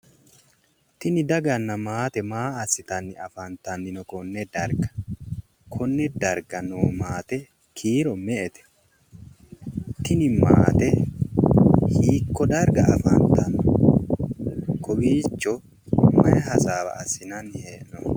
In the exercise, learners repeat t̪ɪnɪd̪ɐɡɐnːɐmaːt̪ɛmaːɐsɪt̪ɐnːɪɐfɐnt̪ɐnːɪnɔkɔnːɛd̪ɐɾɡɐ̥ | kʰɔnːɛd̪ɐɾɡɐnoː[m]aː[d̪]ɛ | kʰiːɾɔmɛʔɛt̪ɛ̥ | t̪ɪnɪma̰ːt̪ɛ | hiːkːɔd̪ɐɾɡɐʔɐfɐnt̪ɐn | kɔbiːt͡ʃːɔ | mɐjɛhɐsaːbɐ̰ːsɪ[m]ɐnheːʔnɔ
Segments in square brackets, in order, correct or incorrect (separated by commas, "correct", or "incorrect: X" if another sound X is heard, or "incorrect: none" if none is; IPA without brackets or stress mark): correct, incorrect: t̪, incorrect: n